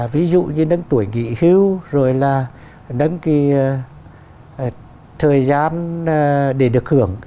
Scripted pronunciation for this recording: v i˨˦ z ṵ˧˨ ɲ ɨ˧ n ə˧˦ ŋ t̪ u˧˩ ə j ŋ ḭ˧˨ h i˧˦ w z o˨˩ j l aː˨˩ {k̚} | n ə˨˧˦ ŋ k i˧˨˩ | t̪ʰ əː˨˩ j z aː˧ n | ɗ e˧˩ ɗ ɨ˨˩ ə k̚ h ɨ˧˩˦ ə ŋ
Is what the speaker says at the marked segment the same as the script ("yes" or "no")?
no